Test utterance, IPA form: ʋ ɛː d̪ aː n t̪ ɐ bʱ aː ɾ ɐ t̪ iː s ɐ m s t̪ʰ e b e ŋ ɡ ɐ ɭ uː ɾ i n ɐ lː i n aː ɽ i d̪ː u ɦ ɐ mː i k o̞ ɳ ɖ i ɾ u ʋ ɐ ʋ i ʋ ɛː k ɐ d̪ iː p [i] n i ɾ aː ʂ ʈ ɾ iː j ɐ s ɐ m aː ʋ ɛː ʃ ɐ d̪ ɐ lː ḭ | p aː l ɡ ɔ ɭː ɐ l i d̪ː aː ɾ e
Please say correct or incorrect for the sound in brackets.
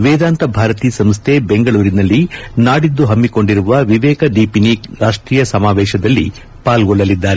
correct